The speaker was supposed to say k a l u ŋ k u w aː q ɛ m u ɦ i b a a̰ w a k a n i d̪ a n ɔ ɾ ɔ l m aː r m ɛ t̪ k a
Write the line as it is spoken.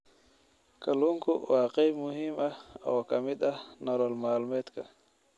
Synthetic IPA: k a l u ŋ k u w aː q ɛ m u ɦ i m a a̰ w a k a m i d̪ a n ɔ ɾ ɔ l m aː l m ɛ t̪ k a